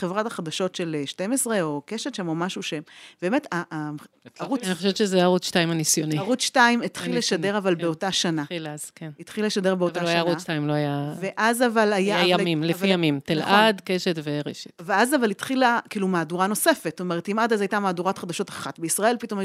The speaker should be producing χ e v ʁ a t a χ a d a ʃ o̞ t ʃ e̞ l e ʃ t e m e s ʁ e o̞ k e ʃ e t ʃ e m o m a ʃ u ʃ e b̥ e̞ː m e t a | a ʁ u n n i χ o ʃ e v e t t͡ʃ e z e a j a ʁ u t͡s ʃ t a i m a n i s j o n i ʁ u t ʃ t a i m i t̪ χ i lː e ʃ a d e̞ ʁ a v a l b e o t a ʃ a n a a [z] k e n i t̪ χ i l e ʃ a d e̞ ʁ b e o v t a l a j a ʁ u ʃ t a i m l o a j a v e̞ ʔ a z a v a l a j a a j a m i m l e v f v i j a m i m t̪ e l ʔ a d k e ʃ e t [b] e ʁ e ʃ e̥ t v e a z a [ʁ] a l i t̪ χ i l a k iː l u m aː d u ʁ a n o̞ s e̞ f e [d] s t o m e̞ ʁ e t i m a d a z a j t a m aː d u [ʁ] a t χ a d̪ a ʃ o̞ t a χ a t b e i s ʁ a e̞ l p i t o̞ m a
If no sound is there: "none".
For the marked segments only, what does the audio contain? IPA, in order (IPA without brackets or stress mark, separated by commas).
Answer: z, v, v, t, ʁ